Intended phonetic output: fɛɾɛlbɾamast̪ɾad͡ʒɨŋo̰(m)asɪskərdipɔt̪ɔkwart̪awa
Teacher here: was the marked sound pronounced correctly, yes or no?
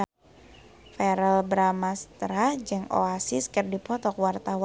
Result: no